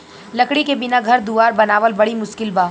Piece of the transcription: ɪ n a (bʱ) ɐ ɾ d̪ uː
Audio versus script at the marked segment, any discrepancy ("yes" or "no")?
yes